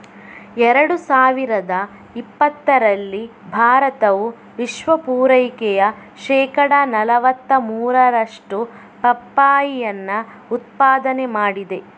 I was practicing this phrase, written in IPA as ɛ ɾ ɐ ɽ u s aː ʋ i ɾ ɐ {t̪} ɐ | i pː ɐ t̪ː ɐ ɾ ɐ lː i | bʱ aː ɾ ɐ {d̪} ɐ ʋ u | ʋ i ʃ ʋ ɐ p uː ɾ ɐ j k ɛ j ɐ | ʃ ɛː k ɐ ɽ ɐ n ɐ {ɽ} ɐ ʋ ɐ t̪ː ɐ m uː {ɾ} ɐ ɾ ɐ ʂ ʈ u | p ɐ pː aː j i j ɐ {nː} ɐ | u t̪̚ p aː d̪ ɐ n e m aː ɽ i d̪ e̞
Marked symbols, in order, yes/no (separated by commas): no, no, no, yes, yes